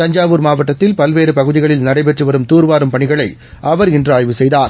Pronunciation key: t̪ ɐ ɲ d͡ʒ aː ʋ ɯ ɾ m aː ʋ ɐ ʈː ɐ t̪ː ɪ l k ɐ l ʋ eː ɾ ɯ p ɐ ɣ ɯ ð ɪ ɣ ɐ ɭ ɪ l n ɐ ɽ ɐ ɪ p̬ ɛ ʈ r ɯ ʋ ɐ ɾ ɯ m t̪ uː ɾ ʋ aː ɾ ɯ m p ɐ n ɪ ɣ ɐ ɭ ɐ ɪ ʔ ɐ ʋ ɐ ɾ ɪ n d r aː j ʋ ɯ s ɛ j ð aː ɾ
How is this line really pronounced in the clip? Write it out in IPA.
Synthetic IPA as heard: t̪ ɐ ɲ d͡ʒ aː ʋ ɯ ɾ m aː ʋ ɐ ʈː ɐ t̪ː ɪ l p ɐ l ʋ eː ɾ ɯ p ɐ ɣ ɯ ð ɪ ɣ ɐ ɭ ɪ l n ɐ ɽ ɐ ɪ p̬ ɛ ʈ r ɯ ʋ ɐ ɾ ɯ m t̪ uː ɾ ʋ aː ɾ ɯ m p ɐ ɳ ɪ ɣ ɐ ɭ ɐ ɪ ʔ ɐ ʋ ɐ ɾ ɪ n d r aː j ʋ ɯ s ɛ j ð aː ɾ